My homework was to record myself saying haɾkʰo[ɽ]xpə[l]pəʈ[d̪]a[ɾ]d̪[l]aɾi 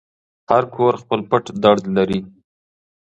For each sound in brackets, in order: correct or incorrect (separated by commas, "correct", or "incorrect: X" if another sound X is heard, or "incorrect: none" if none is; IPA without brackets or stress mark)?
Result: incorrect: ɾ, correct, correct, incorrect: ɽ, correct